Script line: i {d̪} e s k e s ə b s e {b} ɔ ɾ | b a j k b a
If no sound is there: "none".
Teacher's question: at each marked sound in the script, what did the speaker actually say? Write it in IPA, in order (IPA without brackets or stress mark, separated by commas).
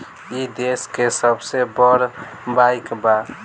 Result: d̪, b